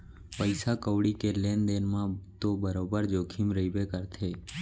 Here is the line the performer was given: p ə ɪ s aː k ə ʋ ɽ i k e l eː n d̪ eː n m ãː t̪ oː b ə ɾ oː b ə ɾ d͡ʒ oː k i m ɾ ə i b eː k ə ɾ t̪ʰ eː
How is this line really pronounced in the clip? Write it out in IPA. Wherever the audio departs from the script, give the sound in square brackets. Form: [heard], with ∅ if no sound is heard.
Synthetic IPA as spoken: p ə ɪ s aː k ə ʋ ɽ i k e l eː n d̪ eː n m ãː t̪ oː b ə ɾ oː b ə ɾ d͡ʒ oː [kʰ] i m ɾ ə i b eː k ə ɾ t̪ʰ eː